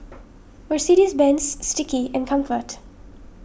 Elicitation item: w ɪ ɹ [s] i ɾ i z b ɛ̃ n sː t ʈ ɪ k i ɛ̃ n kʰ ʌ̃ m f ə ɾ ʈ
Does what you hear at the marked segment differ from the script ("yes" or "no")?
no